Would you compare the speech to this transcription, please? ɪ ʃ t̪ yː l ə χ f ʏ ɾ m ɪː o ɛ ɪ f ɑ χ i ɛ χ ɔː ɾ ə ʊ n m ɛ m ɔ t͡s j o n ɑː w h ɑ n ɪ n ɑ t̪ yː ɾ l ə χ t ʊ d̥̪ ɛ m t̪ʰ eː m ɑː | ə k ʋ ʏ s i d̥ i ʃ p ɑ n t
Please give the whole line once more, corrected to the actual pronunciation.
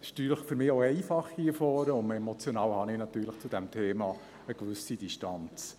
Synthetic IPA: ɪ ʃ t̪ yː l ə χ f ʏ ɾ m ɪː o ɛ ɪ f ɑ χ i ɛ f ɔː ɾ ə ʊ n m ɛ m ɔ t͡s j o n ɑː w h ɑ n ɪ n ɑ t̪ yː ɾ l ə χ t͡s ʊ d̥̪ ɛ m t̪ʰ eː m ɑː | ə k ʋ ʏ s i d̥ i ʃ t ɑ n t͡s